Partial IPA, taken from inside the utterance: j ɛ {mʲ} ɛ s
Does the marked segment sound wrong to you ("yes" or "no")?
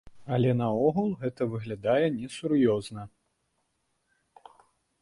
yes